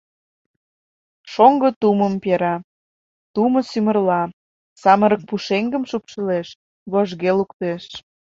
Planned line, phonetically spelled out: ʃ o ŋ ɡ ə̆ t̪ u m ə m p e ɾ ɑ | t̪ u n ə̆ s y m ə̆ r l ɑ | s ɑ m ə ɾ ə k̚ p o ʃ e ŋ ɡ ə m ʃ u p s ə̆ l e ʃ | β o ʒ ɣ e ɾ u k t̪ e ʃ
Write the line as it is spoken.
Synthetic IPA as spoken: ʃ o ŋ ɡ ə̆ t̪ u m ə m p e ɾ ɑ | t̪ u m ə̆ s y m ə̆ r l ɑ | s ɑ m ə ɾ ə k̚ p u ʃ e ŋ ɡ ə m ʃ u p ʃ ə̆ l e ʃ | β o ʒ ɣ e l u k t̪ e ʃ